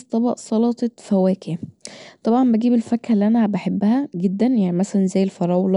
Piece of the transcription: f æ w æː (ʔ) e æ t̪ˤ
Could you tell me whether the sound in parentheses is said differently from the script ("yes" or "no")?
yes